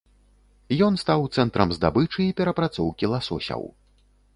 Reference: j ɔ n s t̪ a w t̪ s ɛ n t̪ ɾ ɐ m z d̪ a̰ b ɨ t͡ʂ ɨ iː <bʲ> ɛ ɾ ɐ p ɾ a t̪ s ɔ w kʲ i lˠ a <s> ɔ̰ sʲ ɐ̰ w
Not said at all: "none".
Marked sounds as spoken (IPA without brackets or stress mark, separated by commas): pʲ, s